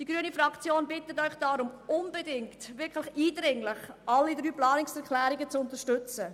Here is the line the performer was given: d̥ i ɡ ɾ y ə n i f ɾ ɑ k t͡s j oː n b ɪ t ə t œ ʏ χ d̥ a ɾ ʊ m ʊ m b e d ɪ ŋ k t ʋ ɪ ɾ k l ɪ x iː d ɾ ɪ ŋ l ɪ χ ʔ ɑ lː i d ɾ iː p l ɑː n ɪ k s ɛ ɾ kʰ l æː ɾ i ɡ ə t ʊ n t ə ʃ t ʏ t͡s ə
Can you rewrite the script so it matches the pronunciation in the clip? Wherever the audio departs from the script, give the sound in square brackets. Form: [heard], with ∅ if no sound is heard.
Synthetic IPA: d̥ i ɡ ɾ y ə n i f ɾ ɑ k t͡s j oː n b ɪ t ə t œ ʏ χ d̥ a ɾ ʊ m ʊ [n] b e d ɪ ŋ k t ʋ ɪ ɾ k l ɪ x iː d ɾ ɪ ŋ l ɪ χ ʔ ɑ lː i d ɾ [yː] p l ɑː n ɪ k s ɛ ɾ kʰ l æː ɾ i ɡ ə [t͡s] ʊ n t ə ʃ t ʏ t͡s ə